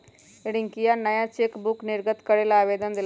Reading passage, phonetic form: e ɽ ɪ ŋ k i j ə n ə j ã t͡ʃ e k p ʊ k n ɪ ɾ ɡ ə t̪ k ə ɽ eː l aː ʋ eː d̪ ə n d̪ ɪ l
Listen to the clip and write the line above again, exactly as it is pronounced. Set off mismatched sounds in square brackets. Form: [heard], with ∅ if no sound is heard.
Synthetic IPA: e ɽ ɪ ŋ k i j [a] n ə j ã t͡ʃ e k [b] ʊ k n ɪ ɾ ɡ ə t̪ k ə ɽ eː l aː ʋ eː d̪ ə n d̪ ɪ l